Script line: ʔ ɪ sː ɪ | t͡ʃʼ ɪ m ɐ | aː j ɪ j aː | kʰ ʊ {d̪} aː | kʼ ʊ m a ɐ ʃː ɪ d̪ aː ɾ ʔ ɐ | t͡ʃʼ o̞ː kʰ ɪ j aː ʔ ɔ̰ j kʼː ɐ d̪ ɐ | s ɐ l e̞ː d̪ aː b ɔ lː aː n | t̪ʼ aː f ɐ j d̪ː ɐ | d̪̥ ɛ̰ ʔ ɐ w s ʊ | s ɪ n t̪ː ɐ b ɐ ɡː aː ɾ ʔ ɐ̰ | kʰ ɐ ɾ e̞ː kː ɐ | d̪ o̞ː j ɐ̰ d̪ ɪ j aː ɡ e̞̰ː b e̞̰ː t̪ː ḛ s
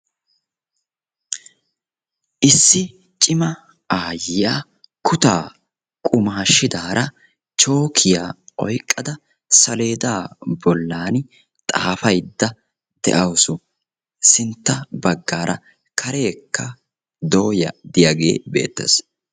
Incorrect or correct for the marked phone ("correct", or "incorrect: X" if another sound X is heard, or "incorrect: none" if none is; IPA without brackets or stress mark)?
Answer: incorrect: t̪